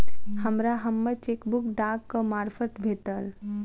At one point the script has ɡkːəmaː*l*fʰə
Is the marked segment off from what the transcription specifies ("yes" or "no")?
yes